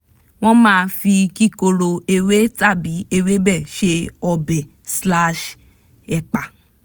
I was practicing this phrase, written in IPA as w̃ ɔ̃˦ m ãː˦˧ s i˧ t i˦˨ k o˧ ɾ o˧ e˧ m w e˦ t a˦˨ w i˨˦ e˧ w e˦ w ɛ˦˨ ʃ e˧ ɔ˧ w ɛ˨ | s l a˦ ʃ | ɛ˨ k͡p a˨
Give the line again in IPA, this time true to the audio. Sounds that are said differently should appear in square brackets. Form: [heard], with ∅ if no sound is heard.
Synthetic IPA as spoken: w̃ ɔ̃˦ m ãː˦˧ [f] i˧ [k] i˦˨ k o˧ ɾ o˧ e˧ [∅] w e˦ t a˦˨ [b] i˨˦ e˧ w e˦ [b] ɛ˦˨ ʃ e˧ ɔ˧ [b] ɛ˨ | s l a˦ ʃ | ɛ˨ k͡p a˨